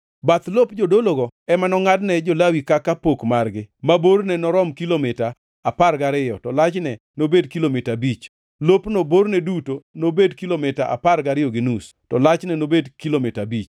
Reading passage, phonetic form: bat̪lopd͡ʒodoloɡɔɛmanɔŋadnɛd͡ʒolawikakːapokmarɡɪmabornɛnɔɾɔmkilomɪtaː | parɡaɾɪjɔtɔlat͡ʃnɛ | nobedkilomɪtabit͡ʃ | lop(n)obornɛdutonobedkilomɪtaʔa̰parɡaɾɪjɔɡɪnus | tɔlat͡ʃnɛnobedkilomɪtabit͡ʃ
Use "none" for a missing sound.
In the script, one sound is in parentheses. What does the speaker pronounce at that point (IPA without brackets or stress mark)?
n